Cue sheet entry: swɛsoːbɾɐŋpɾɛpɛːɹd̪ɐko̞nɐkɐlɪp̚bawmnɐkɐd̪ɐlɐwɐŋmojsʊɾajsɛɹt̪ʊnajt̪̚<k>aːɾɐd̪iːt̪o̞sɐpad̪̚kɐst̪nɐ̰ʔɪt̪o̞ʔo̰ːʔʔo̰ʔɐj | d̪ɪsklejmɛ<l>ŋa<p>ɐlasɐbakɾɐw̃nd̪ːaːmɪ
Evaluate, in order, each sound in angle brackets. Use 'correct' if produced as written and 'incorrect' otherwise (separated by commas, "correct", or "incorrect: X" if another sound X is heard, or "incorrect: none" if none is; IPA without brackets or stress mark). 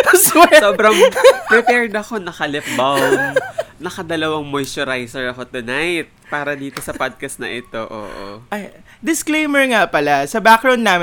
incorrect: p, incorrect: ɹ, correct